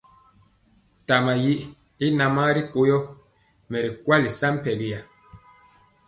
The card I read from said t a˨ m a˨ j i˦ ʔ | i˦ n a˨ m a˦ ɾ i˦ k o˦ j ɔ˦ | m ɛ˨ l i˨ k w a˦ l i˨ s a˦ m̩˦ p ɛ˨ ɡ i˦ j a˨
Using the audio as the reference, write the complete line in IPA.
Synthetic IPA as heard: t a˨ m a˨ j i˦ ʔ | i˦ n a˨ m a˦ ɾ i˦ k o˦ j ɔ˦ | m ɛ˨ ɾ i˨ k w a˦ l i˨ s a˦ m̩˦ p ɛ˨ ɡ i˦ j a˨